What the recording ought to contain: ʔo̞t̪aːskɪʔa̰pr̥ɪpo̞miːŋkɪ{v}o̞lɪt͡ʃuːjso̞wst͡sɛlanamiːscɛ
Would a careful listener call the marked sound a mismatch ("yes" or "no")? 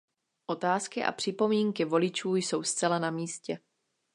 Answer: no